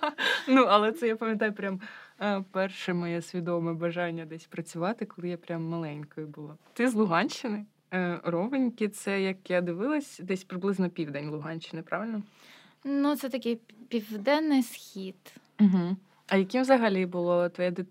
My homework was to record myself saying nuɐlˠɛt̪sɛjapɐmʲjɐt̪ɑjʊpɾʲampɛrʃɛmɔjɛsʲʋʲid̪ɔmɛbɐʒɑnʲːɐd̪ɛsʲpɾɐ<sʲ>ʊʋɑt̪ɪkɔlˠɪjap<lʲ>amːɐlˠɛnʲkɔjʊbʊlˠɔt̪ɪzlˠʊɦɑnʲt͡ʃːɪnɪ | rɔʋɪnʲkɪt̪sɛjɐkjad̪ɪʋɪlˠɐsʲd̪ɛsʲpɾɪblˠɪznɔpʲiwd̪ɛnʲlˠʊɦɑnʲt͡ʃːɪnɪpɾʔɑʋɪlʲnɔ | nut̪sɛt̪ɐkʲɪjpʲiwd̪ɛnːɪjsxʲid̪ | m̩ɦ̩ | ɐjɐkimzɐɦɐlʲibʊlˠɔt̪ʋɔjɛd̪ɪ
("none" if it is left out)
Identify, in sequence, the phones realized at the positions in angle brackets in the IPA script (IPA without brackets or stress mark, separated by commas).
t͡sʲ, ɾʲ